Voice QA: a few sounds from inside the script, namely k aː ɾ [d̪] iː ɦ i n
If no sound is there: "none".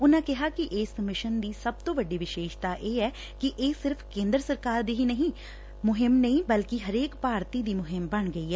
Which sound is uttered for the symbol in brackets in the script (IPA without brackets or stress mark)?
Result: d̪